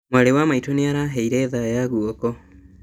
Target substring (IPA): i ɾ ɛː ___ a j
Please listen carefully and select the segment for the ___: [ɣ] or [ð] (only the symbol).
ð